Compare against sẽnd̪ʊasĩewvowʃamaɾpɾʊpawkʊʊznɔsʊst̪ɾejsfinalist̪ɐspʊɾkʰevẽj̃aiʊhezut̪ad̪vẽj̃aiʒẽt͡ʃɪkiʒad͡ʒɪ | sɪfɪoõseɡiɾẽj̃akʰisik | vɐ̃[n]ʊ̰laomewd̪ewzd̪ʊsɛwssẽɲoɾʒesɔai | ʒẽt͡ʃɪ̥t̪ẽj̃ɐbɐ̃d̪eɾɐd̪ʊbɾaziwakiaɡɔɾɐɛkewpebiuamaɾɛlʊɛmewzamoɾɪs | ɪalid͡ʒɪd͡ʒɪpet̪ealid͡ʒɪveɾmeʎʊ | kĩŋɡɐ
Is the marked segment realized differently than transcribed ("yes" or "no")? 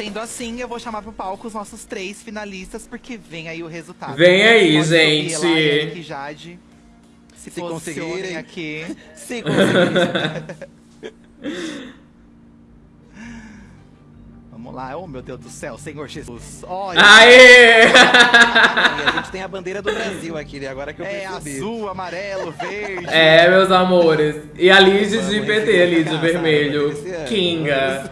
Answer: yes